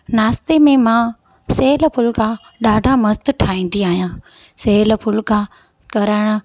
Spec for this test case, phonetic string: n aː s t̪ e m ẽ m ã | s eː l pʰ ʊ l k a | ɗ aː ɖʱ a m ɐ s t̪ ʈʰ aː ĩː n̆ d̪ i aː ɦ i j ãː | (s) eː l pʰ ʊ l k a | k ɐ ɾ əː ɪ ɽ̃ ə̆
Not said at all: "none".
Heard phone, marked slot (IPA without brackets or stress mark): s